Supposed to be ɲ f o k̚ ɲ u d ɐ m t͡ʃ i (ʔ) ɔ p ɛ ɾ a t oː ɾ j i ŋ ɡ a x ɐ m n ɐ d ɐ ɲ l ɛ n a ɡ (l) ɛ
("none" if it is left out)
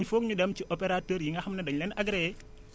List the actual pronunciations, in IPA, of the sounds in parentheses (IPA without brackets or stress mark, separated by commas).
ʔ, ɾ